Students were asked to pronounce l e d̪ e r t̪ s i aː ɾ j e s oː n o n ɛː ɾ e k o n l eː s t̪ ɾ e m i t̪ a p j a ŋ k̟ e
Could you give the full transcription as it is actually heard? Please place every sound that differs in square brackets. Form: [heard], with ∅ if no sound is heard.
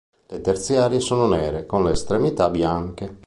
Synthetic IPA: l e [t̪] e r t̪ s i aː ɾ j e s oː n o n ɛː ɾ e k o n l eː s t̪ ɾ e m i t̪ a [b] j a ŋ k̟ e